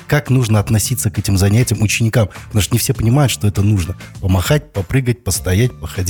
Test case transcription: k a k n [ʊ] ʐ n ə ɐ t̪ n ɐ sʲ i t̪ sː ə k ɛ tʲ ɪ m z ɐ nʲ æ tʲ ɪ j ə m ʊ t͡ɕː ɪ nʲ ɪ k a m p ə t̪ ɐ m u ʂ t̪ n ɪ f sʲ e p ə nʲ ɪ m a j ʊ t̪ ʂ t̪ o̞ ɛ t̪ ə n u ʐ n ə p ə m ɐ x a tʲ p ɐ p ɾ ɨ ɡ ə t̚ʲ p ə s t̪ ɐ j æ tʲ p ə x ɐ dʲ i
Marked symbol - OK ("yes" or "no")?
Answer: no